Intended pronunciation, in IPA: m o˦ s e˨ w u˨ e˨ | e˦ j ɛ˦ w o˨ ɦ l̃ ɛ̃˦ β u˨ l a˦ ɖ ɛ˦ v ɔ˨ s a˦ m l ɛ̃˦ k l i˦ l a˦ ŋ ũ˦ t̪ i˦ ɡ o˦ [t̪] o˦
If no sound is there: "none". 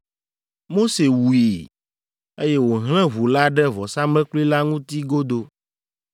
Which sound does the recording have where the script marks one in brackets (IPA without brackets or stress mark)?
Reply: d̪